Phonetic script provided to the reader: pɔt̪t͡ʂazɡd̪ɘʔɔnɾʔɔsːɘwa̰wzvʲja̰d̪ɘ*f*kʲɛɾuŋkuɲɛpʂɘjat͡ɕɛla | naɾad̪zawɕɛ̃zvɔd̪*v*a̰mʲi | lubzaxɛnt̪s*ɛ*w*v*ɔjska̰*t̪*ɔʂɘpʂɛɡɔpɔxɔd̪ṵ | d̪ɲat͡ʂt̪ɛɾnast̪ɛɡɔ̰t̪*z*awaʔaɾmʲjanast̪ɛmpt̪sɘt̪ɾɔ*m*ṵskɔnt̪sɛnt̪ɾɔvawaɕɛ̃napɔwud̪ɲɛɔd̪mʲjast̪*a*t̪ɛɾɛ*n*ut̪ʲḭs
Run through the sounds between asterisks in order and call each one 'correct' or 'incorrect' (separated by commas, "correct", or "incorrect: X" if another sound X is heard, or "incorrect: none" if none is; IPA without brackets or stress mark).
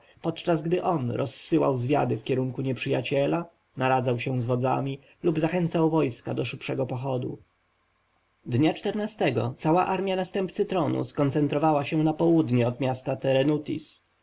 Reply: correct, incorrect: z, incorrect: a, correct, incorrect: d̪, incorrect: s, incorrect: n, correct, correct